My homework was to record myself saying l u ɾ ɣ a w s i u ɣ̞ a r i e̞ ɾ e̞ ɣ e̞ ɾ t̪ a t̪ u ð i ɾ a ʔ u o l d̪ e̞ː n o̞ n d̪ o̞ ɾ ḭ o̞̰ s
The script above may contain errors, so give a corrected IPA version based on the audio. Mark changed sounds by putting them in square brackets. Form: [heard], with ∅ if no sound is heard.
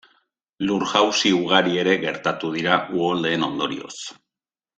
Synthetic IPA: l u ɾ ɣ a w s i u ɣ̞ a [ɾ] i e̞ ɾ e̞ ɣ e̞ ɾ t̪ a t̪ u ð i ɾ a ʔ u o l d̪ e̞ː n o̞ n d̪ o̞ ɾ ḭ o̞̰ s

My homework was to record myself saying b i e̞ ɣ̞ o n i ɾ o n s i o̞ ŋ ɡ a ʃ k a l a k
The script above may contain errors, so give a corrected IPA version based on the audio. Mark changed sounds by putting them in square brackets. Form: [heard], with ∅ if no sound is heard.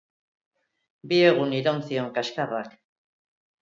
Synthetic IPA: b i e̞ ɣ̞ [u] n i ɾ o n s i o̞ ŋ [k] a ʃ k a [r] a k

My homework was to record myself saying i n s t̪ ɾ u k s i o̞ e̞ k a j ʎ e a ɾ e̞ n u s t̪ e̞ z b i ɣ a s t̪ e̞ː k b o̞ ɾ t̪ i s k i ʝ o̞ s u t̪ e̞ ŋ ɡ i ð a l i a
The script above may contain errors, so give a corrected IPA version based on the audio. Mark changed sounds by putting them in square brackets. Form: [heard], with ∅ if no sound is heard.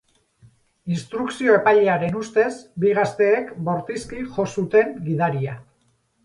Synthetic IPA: i n s t̪ ɾ u k s i o̞ e̞ [p] a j ʎ e a ɾ e̞ n u s t̪ e̞ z b i ɣ a s t̪ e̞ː k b o̞ ɾ t̪ i s k i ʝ o̞ s u t̪ e̞ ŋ ɡ i ð a [ɾ] i a

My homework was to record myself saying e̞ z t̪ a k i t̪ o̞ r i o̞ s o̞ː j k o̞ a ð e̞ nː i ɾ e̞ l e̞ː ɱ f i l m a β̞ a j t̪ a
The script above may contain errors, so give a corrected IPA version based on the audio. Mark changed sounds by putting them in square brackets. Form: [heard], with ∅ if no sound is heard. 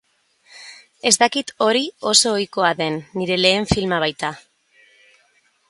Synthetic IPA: e̞ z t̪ a k i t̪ o̞ [ɾ] i o̞ s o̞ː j k o̞ a ð e̞ nː i ɾ e̞ l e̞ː ɱ f i l m a β̞ a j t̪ a

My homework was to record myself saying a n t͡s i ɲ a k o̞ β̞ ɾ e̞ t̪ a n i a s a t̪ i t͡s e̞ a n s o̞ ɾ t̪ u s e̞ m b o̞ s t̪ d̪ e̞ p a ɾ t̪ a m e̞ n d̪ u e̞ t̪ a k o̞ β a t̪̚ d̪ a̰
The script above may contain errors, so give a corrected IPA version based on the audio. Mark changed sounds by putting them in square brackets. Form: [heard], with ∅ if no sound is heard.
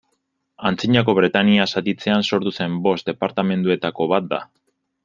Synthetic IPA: a n t͡s i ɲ a k o̞ β̞ ɾ e̞ t̪ a n i a s a t̪ i t͡s e̞ a n s o̞ ɾ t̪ u s e̞ m b o̞ s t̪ d̪ e̞ p a ɾ t̪ a m e̞ n d̪ u e̞ t̪ a k o̞ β a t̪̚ d̪ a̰

